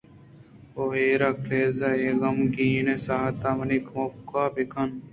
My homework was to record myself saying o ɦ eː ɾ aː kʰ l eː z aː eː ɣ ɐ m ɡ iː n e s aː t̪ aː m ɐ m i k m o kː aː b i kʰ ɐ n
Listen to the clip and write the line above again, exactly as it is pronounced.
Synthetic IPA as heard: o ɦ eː ɾ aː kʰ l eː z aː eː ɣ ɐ m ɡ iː n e s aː t̪ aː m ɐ n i k m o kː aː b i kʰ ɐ n